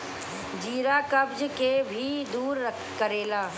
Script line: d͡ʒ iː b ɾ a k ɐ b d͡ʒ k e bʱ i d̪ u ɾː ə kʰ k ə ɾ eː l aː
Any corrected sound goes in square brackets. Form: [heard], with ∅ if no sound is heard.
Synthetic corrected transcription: d͡ʒ iː [∅] ɾ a k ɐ b d͡ʒ k e bʱ i d̪ [uː] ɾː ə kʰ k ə ɾ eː l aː